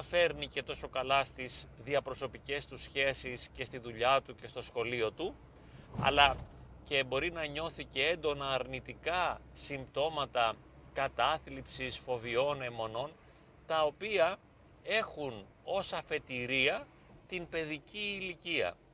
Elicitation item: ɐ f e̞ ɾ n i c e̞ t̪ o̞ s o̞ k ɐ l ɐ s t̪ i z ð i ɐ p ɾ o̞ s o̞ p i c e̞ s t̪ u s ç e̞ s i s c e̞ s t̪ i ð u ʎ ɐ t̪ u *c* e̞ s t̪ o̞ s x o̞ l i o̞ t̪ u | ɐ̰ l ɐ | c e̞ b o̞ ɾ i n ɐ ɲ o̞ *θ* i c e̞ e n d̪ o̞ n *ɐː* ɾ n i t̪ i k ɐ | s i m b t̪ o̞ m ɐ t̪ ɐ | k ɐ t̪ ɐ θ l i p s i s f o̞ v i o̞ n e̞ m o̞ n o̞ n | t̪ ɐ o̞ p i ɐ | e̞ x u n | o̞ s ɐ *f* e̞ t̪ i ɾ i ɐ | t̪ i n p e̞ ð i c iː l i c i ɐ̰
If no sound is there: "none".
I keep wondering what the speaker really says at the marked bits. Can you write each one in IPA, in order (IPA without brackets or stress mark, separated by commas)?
c, θ, ɐː, f